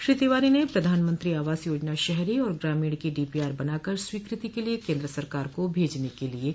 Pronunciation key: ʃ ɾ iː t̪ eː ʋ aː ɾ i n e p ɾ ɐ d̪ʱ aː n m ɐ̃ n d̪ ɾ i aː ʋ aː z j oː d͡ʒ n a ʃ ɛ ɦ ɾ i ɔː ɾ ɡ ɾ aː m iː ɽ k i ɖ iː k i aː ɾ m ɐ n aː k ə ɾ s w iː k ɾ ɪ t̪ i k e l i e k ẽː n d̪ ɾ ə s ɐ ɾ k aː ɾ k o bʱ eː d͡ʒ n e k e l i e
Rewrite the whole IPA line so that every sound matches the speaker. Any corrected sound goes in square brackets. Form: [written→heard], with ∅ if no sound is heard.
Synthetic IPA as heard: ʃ ɾ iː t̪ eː ʋ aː ɾ i n e p ɾ ɐ d̪ʱ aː n m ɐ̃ n [d̪→t̪] ɾ i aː ʋ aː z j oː d͡ʒ n a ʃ ɛ ɦ ɾ i ɔː ɾ ɡ ɾ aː m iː ɽ k i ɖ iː [k→p] i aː ɾ [m→b] ɐ n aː k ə ɾ s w iː k ɾ ɪ t̪ i k e l i e k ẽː n d̪ ɾ ə s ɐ ɾ k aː ɾ k o bʱ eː d͡ʒ n e k e l i e